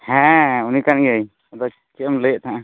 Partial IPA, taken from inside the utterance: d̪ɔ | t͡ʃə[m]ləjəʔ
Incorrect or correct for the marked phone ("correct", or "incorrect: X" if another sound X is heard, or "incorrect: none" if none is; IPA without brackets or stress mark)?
correct